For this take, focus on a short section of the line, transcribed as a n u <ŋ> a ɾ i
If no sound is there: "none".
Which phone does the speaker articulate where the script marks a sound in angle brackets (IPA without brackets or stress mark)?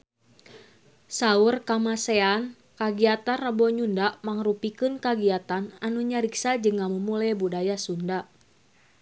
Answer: ɲ